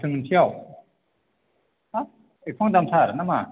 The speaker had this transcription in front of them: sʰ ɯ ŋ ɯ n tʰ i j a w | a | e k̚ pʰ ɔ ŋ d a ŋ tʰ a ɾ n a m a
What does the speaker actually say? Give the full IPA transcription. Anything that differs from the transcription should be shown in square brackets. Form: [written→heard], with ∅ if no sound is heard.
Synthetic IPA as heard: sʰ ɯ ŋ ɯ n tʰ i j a w | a | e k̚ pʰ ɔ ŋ d a [ŋ→m] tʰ a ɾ n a m a